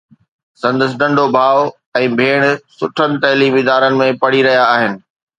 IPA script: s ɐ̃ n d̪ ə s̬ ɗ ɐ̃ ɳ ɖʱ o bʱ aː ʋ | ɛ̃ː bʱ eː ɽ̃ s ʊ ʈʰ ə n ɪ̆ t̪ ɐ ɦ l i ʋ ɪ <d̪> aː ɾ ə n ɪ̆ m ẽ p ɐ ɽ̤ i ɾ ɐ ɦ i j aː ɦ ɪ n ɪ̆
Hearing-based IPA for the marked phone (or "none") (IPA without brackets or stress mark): d̪